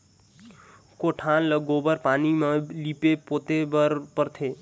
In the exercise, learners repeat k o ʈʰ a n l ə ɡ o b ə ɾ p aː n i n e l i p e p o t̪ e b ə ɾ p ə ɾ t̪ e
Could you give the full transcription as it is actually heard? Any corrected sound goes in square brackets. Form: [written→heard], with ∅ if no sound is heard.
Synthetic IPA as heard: k o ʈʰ a n l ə ɡ o b ə ɾ p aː n i [n→m] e l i p e p o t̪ e b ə ɾ p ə ɾ [t̪→t̪ʰ] e